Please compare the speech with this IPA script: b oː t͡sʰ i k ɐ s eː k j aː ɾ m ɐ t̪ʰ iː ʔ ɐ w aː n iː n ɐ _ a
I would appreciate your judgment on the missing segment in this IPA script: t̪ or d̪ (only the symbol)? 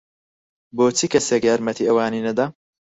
d̪